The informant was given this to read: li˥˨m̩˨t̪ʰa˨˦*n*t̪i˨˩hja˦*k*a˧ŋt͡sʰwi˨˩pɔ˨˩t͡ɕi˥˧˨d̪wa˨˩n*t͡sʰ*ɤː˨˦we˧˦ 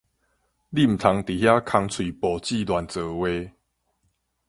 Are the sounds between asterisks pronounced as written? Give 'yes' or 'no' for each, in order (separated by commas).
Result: no, no, no